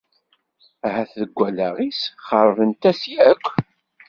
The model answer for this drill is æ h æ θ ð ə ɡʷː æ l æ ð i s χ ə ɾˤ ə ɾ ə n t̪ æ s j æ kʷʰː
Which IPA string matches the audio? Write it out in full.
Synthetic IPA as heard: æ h æ θ ð ə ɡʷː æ l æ ʁ i s χ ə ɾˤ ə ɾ ə n t̪ æ s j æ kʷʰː